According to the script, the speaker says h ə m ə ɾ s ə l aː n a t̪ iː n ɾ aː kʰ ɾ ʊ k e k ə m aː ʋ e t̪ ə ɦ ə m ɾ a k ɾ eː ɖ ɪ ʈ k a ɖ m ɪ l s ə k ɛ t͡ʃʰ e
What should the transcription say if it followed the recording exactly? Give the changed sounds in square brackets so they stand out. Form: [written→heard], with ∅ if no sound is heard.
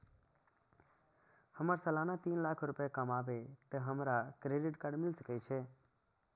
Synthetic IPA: h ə m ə ɾ s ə l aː n a t̪ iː n [ɾ→l] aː kʰ ɾ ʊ [k→p] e k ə m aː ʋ e t̪ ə ɦ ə m ɾ a k ɾ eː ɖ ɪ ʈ k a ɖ m ɪ l s ə k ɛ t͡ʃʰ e